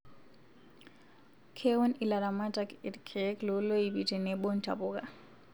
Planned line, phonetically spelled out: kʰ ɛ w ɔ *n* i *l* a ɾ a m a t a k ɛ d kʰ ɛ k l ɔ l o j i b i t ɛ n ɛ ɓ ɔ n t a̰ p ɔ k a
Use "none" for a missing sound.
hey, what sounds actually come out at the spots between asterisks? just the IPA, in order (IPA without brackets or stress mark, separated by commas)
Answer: n, l